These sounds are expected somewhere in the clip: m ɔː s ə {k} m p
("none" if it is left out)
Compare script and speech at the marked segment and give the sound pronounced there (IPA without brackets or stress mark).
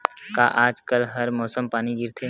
none